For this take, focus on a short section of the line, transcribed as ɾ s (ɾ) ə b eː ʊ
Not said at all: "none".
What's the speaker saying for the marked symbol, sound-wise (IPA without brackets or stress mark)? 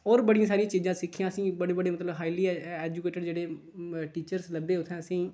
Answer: l